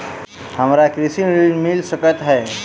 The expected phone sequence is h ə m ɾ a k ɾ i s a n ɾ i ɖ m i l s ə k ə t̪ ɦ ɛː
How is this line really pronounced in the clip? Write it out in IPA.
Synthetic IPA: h ə m ɾ a k ɾ i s i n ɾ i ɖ m i l s ə k ə t̪ ɦ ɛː